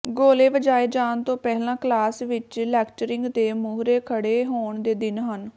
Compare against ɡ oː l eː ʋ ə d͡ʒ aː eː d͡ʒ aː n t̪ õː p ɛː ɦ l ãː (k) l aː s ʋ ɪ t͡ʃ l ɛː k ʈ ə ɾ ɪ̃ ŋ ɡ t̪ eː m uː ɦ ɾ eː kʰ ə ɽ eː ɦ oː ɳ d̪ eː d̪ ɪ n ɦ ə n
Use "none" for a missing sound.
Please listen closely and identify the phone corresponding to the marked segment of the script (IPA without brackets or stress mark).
k